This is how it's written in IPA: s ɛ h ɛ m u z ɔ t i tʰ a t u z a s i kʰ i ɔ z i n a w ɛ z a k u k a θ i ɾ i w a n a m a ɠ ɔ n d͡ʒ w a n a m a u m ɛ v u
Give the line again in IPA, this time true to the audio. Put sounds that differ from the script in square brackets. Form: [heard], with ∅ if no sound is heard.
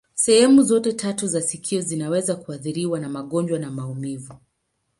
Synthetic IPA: s ɛ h ɛ m u z ɔ t [ɛ] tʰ a t u z a s i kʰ i ɔ z i n a w ɛ z a k u [∅] a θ i ɾ i w a n a m a ɠ ɔ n d͡ʒ w a n a m a u m [i] v u